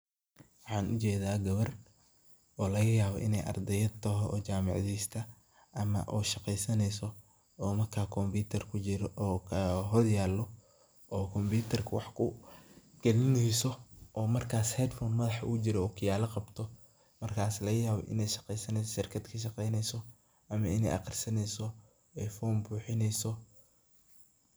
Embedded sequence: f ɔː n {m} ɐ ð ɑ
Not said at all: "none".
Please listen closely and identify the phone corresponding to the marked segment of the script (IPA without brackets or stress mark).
m